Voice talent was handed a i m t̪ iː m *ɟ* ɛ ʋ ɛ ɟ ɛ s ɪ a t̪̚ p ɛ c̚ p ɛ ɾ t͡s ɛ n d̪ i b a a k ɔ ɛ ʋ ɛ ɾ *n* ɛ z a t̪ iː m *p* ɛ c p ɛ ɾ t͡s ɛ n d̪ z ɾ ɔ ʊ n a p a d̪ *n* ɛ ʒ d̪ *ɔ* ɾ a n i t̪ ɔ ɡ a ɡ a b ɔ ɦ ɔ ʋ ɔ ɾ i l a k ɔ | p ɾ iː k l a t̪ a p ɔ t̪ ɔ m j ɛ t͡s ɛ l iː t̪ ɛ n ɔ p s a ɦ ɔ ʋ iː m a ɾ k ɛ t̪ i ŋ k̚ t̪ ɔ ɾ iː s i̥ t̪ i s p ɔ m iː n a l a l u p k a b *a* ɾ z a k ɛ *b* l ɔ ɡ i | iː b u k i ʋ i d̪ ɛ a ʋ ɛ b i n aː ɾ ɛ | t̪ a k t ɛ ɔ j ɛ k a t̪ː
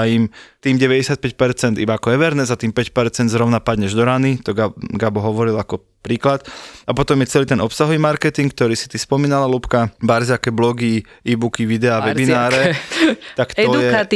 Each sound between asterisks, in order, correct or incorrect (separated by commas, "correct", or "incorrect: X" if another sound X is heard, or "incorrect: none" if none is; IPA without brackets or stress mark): correct, correct, correct, incorrect: ɲ, correct, correct, correct